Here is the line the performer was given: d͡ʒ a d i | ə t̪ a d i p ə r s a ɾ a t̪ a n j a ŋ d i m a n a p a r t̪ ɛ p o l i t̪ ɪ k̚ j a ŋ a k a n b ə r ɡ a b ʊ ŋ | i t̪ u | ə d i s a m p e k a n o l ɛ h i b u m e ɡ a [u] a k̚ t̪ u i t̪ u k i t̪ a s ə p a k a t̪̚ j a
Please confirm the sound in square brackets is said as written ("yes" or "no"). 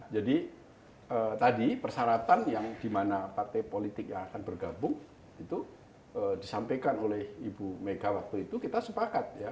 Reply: no